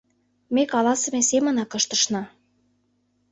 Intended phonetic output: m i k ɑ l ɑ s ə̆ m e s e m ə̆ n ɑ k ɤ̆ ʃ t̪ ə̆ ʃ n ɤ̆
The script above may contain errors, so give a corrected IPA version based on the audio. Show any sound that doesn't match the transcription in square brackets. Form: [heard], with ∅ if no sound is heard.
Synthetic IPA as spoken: m [e] k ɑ l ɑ s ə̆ m e s e m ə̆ n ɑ k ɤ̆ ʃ t̪ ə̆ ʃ n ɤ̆